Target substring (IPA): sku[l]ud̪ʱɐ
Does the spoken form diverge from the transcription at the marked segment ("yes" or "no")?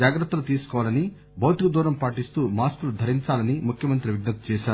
no